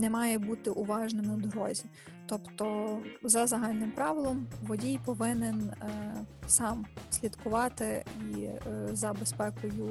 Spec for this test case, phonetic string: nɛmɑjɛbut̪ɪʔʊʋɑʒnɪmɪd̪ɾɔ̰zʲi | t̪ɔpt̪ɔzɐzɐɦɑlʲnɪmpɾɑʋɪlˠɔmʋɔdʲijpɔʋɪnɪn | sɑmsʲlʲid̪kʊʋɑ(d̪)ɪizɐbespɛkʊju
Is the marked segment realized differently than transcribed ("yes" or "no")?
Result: yes